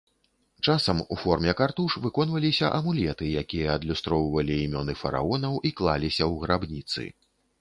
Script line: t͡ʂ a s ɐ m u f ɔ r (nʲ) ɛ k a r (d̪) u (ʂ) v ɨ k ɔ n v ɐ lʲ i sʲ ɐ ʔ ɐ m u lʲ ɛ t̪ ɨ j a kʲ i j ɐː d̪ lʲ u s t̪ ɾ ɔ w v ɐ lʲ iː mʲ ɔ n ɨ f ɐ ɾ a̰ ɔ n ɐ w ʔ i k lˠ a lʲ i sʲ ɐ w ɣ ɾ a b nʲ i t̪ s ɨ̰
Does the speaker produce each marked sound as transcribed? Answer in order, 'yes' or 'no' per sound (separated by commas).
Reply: no, no, yes